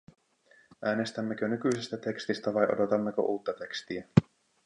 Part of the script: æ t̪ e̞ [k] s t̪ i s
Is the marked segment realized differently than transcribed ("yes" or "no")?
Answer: no